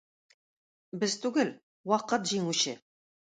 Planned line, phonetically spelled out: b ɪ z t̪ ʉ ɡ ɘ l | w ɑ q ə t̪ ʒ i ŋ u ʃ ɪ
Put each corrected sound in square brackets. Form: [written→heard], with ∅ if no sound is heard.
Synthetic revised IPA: b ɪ z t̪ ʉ ɡ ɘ l | w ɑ q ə t̪ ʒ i ŋ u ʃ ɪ